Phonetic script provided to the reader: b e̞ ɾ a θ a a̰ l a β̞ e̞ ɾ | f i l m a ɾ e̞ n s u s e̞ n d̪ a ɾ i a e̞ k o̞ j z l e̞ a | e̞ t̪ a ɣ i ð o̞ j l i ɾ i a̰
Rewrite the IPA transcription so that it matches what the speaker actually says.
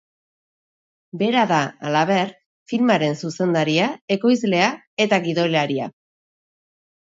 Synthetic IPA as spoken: b e̞ ɾ a ð a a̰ l a β̞ e̞ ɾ | f i l m a ɾ e̞ n s u s e̞ n d̪ a ɾ i a e̞ k o̞ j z l e̞ a | e̞ t̪ a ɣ i ð o̞ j l a ɾ i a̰